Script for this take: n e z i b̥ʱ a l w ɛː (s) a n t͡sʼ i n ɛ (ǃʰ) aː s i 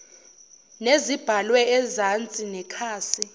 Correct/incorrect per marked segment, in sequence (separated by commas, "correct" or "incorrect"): incorrect, incorrect